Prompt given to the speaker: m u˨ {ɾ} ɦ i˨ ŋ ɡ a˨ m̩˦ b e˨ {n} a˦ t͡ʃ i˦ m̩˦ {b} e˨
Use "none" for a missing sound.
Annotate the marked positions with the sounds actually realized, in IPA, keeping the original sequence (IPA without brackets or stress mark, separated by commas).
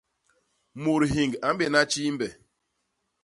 ɾ, n, b